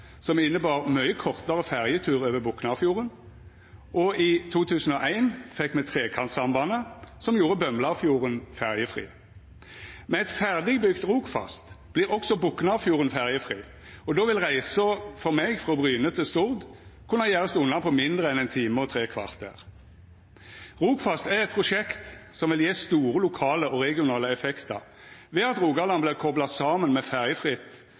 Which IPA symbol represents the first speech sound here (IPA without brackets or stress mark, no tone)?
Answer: s